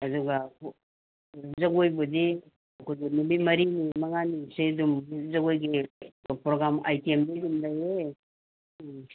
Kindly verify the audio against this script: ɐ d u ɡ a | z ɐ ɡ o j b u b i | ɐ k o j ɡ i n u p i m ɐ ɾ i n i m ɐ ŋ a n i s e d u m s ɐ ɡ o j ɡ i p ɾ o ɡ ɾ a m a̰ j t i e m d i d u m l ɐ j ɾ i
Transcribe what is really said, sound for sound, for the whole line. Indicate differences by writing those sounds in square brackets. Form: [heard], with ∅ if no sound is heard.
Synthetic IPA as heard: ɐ d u ɡ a | z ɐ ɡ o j b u [d] i | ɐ k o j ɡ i n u [b] i m ɐ ɾ i n i m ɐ ŋ a n i s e d u m [z] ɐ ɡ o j ɡ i p ɾ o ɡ ɾ a m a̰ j t i e m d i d u m l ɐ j ɾ [e]